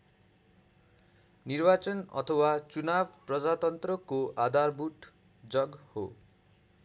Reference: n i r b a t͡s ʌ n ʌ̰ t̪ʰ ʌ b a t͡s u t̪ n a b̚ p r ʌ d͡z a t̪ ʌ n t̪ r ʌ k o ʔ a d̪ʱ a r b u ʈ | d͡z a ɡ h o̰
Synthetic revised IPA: n i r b a t͡s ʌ n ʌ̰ t̪ʰ ʌ w a t͡s u n a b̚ p r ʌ d͡z a t̪ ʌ n t̪ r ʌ k o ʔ a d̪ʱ a r b u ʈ | d͡z ʌ ɡ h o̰